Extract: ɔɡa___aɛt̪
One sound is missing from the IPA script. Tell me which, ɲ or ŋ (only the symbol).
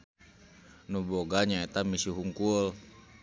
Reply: ɲ